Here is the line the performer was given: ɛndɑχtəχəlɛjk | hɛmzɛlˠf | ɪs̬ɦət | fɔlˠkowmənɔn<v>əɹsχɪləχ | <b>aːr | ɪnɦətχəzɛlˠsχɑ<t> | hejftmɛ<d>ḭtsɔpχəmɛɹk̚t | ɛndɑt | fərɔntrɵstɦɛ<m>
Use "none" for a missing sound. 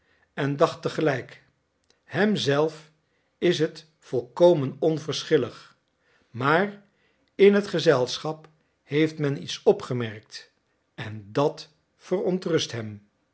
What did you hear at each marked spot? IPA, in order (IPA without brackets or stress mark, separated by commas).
v, m, p, n, m